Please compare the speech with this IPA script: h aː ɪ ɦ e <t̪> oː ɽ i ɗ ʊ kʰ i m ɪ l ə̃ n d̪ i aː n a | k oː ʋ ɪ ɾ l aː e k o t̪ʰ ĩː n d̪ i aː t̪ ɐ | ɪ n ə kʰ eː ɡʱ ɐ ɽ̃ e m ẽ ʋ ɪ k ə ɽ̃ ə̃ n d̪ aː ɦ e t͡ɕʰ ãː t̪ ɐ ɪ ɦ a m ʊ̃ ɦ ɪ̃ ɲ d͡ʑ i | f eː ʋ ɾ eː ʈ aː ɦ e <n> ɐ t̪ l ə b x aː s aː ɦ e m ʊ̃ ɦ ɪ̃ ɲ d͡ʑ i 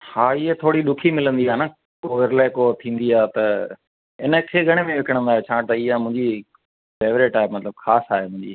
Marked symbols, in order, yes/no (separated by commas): no, no